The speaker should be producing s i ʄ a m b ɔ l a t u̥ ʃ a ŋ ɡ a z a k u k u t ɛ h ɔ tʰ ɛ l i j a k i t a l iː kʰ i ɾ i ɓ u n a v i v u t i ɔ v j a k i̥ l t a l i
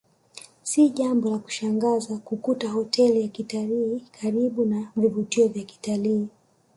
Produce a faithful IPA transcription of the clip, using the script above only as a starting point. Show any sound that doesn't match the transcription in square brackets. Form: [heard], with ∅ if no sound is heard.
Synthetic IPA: s i ʄ a m b ɔ l a [k] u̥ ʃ a ŋ ɡ a z a k u k u t [a] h ɔ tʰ ɛ l i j a k i t a l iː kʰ [a] ɾ i ɓ u n a v i v u t i ɔ v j a k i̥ [∅] t a l [iː]